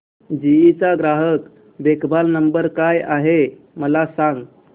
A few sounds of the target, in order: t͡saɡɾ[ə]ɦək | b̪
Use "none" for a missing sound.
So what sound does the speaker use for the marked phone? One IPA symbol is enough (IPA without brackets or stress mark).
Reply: a